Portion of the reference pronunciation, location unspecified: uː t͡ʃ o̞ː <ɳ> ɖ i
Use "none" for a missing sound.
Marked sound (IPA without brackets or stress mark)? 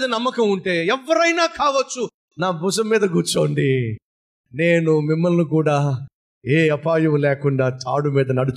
ɳ